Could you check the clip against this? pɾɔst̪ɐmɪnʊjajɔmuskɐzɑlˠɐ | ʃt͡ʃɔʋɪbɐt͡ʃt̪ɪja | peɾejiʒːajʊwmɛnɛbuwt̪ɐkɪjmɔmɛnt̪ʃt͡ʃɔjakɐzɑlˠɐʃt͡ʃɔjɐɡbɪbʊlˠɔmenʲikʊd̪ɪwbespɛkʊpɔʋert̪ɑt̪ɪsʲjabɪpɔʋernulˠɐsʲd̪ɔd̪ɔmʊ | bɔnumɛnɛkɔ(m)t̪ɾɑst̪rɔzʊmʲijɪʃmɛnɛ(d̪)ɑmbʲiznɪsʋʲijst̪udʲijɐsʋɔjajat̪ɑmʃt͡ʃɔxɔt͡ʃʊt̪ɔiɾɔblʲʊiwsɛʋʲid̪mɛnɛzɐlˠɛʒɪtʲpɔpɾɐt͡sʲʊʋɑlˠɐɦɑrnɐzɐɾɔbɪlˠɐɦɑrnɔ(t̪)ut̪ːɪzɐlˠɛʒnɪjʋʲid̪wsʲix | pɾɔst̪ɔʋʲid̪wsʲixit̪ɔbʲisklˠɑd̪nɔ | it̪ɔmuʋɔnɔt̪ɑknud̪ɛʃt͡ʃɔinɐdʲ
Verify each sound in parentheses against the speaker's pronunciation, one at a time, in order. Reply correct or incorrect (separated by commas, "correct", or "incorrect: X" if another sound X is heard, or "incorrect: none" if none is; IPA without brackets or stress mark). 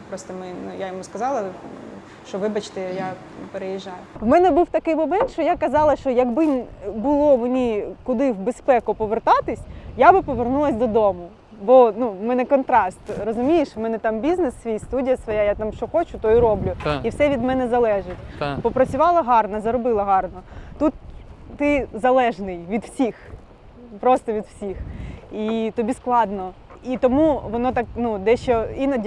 incorrect: n, incorrect: t̪, correct